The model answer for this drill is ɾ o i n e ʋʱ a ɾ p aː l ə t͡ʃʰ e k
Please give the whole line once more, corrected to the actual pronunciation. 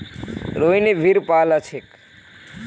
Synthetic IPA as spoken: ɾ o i n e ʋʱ i ɾ p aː l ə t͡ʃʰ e k